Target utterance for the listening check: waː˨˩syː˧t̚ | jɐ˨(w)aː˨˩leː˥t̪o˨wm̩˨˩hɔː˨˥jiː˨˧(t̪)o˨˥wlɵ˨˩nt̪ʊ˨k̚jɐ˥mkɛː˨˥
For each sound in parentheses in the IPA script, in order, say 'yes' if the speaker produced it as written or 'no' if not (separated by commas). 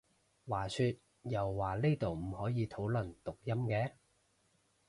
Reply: no, no